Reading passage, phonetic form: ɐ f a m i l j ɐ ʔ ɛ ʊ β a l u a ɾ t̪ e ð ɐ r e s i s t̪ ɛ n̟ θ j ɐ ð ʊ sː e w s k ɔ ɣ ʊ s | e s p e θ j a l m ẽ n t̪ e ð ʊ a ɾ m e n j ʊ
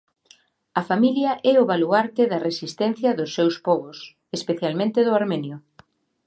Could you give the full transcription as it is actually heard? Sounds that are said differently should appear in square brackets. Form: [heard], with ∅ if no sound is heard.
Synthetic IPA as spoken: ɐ f a m i l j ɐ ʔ ɛ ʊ β a l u a ɾ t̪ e ð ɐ r e s i s t̪ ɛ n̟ θ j ɐ ð ʊ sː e w s [p] ɔ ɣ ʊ s | e s p e θ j a l m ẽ n t̪ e ð ʊ a ɾ m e n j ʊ